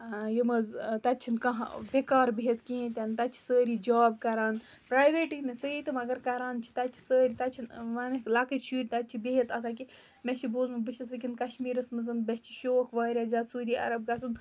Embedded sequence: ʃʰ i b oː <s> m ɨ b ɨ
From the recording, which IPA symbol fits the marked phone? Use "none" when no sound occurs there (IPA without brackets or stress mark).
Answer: z